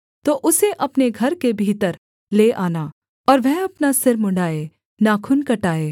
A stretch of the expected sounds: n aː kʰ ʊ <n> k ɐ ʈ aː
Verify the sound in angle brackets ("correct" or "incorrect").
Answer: correct